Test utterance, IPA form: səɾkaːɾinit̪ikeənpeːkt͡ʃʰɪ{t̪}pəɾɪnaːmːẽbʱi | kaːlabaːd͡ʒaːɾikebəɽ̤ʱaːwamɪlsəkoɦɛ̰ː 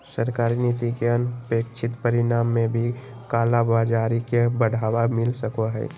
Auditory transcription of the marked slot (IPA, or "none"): t̪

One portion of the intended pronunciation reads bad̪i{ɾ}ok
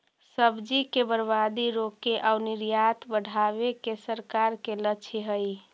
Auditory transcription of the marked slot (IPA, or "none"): ɾ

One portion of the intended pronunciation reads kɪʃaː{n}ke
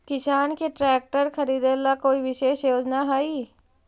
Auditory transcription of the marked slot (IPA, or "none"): n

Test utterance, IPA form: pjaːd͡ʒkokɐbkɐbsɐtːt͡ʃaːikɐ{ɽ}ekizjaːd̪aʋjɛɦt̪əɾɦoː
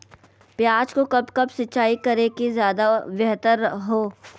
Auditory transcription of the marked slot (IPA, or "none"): ɾ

